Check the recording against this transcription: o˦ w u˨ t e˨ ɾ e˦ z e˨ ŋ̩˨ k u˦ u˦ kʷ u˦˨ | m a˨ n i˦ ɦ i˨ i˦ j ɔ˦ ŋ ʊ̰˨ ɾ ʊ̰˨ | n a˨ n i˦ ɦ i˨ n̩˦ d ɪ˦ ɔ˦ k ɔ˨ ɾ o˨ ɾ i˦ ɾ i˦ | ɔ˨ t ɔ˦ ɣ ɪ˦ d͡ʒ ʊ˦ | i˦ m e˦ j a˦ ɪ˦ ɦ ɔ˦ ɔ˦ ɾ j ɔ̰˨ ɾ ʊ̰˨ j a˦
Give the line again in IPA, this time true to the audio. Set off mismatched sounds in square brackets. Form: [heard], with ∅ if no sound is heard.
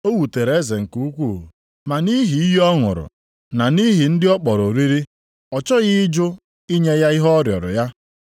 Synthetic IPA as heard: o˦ w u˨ t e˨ ɾ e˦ z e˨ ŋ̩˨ k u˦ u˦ kʷ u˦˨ | m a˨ n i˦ ɦ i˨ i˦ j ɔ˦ ŋ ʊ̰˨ ɾ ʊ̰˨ | n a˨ n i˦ ɦ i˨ n̩˦ d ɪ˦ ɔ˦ [k͡p] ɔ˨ ɾ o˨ ɾ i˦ ɾ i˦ | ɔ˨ [t͡ʃ] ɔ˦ ɣ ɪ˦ d͡ʒ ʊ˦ | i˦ [ɲ] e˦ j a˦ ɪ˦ ɦ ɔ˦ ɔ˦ ɾ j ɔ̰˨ ɾ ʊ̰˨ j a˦